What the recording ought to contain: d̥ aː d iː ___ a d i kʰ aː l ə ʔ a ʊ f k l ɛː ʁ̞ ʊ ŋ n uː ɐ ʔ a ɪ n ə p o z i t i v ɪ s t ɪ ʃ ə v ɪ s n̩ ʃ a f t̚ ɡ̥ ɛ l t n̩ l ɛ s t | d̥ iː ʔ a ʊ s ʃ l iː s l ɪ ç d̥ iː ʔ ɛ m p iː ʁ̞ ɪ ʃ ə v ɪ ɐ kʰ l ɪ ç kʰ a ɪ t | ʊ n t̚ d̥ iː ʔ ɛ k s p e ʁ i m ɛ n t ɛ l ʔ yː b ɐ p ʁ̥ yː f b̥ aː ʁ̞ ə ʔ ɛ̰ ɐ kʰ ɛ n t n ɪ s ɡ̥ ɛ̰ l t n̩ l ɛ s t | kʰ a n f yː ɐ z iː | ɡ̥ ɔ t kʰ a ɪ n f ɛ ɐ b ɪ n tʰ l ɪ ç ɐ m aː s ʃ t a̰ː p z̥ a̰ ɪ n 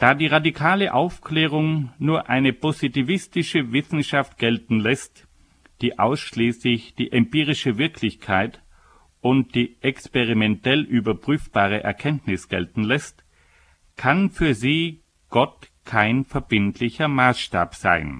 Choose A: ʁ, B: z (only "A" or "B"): A